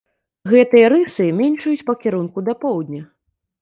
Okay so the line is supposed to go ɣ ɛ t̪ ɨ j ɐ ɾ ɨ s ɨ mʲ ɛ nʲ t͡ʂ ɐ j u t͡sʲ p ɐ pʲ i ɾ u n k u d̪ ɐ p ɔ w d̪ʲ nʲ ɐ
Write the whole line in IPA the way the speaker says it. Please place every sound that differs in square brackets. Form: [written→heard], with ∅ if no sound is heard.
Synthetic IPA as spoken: ɣ ɛ t̪ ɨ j ɐ ɾ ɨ s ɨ mʲ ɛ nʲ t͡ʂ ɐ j u t͡sʲ p ɐ [pʲ→kʲ] i ɾ u n k u d̪ ɐ p ɔ w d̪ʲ nʲ ɐ